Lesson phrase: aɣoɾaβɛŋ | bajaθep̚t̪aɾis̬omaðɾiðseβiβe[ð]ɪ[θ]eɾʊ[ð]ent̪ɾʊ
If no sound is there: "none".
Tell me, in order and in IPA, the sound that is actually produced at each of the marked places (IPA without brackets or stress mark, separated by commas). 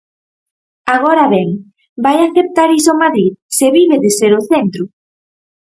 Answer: ð, s, θ